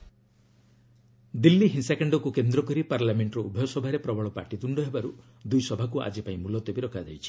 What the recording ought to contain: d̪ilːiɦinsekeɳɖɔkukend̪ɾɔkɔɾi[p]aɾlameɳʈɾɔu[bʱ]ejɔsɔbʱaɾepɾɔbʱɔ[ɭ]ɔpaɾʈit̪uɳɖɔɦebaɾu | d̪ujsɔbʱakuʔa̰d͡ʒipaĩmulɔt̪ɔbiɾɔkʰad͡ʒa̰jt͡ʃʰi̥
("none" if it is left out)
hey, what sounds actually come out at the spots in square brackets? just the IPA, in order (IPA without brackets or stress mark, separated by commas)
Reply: p, bʱ, ɭ